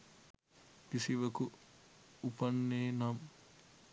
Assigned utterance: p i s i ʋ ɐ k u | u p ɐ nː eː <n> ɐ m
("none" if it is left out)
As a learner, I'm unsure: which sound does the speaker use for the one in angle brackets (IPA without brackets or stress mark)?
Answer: n